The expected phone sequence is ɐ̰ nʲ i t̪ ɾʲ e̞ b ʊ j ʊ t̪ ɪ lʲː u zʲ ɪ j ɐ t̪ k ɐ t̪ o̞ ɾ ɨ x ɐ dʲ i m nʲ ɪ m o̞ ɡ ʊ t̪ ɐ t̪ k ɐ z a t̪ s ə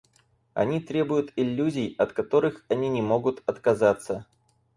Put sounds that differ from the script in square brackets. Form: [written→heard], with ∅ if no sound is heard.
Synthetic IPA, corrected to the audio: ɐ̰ nʲ i t̪ ɾʲ e̞ b ʊ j ʊ t̪ ɪ lʲː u zʲ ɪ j ɐ t̪ k ɐ t̪ o̞ ɾ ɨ x ɐ [dʲ→nʲ] i [m→∅] nʲ ɪ m o̞ ɡ ʊ t̪ ɐ t̪ k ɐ z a t̪ s ə

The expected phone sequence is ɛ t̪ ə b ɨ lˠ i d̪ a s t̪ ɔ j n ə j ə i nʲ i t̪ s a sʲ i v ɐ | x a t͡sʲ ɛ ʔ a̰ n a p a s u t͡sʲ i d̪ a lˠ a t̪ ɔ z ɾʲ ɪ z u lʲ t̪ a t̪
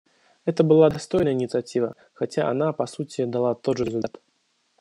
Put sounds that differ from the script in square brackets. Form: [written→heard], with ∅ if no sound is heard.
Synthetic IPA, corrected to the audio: ɛ t̪ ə b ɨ lˠ [i→a] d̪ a s t̪ ɔ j n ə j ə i nʲ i t̪ s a [sʲ→t͡sʲ] i v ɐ | x a t͡sʲ [ɛ→a] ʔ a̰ n a p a s u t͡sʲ i d̪ a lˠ a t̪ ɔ [z→ʐ] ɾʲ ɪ z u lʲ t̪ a t̪

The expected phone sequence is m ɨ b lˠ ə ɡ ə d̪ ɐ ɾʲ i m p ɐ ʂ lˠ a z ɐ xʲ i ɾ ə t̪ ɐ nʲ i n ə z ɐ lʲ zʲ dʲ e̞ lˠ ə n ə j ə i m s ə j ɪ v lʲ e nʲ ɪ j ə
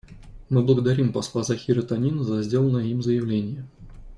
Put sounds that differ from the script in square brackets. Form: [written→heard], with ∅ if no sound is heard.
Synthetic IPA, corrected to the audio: m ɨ b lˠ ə ɡ ə d̪ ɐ ɾʲ i m p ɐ [ʂ→s] lˠ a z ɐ xʲ i ɾ ə t̪ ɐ nʲ i n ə z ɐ [lʲ→∅] zʲ dʲ e̞ lˠ ə n ə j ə i m [s→z] ə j ɪ v lʲ e nʲ ɪ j ə

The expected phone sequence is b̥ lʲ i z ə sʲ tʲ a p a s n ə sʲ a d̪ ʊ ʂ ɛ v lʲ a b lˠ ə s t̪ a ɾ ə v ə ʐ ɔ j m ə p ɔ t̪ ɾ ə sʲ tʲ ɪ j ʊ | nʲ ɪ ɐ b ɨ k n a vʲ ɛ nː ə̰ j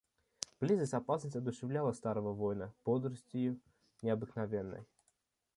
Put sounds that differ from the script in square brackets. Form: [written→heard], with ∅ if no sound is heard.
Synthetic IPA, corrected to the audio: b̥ lʲ i z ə sʲ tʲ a p a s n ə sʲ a d̪ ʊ ʂ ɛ v lʲ a [b→∅] lˠ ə s t̪ a ɾ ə v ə [ʐ→v] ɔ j [m→n] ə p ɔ [t̪→d̪] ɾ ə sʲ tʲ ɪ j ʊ | nʲ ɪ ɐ b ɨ k n a vʲ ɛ nː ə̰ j

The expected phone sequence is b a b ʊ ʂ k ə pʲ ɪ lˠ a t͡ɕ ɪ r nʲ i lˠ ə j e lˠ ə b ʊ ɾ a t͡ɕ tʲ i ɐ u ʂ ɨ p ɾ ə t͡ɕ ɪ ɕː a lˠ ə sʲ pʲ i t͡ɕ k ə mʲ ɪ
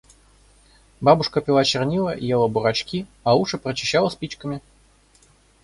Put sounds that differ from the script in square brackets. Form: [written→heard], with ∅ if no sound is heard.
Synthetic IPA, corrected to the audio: b a b ʊ ʂ k ə pʲ ɪ lˠ a t͡ɕ ɪ r nʲ i lˠ ə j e lˠ ə b ʊ ɾ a t͡ɕ [tʲ→kʲ] i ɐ u ʂ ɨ p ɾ ə t͡ɕ ɪ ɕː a lˠ ə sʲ pʲ i t͡ɕ k ə mʲ ɪ

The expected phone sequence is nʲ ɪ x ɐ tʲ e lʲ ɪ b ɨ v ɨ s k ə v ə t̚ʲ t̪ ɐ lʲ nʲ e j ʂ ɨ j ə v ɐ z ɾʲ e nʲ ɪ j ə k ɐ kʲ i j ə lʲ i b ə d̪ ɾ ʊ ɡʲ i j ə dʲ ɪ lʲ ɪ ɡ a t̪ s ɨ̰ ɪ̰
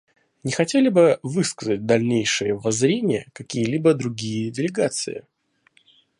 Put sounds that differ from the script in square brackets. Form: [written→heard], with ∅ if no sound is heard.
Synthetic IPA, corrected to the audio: nʲ ɪ x ɐ tʲ e lʲ ɪ b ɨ v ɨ s k ə [v→z] ə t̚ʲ [t̪→d̪] ɐ lʲ nʲ e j ʂ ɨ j ə v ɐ z ɾʲ e nʲ ɪ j ə k ɐ kʲ i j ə lʲ i b ə d̪ ɾ ʊ ɡʲ i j ə dʲ ɪ lʲ ɪ ɡ a t̪ s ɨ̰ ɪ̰

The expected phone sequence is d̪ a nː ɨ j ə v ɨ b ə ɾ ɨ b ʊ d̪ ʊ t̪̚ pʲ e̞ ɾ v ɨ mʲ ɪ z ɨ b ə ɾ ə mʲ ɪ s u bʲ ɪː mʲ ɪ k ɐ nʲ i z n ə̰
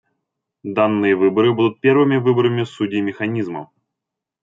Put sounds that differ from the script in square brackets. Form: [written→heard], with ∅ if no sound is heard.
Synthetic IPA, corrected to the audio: d̪ a nː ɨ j ə v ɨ b ə ɾ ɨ b [ʊ→u] d̪ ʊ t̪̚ pʲ e̞ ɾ v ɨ mʲ ɪ [z→v] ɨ b ə ɾ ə mʲ ɪ s u [bʲ→dʲ] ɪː mʲ ɪ [k→x] ɐ nʲ i z [n→m] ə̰

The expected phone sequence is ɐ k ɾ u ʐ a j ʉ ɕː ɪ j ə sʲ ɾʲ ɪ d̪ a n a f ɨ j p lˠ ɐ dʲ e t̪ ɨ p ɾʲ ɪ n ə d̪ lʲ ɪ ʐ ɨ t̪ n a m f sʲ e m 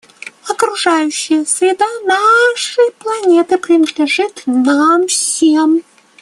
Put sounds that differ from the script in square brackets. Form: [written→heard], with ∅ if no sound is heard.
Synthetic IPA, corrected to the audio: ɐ k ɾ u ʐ a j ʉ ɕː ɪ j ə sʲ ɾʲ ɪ d̪ a n a [f→ʂ] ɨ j p lˠ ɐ [dʲ→nʲ] e t̪ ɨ p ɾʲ ɪ n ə d̪ lʲ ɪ ʐ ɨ t̪ n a m f sʲ e m

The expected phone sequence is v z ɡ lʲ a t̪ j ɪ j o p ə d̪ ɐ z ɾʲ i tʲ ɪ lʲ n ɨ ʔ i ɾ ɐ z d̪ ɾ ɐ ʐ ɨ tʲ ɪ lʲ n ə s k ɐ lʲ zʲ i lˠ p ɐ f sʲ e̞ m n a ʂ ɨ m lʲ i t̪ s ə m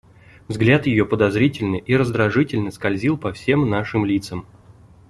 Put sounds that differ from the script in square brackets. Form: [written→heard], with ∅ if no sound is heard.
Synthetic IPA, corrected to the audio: v z ɡ lʲ a t̪ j ɪ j o p ə d̪ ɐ z ɾʲ i tʲ ɪ lʲ n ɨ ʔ i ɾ [ɐ→ə] z d̪ ɾ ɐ ʐ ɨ tʲ ɪ lʲ n ə s k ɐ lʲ zʲ i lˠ p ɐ f sʲ e̞ m n a ʂ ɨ m lʲ i t̪ s ə m

